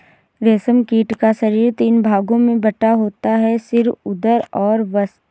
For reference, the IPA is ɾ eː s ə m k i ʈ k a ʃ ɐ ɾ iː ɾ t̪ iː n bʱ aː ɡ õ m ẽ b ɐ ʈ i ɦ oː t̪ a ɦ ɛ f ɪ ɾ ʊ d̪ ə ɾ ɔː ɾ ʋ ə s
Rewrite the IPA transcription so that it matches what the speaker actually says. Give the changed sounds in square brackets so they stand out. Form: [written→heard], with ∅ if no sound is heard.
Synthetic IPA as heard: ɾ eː s ə m k [i→iː] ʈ k a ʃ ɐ ɾ iː ɾ t̪ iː n bʱ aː ɡ õ m ẽ b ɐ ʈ [i→a] ɦ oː t̪ a ɦ ɛ [f→s] ɪ ɾ ʊ d̪ ə ɾ ɔː ɾ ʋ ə s